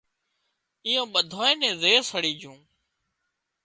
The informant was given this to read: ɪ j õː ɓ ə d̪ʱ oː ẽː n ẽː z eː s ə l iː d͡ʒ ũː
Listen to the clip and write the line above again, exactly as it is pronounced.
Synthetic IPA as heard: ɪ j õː ɓ ə d̪ʱ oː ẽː n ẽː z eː s ə ɽ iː d͡ʒ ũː